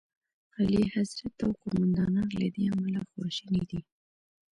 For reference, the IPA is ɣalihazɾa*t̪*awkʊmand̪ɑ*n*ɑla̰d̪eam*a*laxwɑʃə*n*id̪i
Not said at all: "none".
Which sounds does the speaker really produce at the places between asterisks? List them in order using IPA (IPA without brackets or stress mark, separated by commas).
t̪, n, a, n